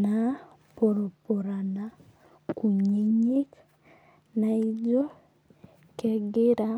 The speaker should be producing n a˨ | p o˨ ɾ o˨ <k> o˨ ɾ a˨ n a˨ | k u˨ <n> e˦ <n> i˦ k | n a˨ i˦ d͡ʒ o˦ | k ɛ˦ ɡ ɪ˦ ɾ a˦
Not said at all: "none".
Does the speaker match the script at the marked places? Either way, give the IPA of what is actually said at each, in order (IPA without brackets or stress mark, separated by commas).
p, ɲ, ɲ